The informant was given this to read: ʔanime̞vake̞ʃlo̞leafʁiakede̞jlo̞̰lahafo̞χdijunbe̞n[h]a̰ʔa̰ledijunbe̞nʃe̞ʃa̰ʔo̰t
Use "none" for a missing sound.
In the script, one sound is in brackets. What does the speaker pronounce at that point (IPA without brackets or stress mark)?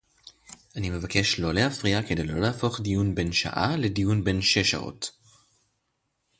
ʃ